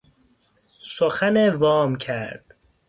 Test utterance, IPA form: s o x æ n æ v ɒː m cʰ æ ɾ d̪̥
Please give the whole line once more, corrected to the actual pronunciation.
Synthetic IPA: s o x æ n e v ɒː m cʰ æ ɾ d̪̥